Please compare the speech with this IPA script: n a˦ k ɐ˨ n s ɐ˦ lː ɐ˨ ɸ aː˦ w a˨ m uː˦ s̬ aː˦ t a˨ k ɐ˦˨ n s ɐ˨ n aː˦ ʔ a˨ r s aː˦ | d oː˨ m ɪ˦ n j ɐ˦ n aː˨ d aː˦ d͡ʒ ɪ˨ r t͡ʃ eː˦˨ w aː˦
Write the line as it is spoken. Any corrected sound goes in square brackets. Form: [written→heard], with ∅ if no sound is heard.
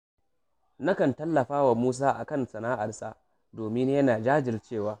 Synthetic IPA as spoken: n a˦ k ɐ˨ n [s→t] ɐ˦ lː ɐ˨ ɸ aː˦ w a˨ m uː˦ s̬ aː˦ [t→ʔ] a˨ k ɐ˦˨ n s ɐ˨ n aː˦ ʔ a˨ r s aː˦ | d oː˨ m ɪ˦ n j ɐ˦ n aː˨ [d→d͡ʒ] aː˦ d͡ʒ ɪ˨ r t͡ʃ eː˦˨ w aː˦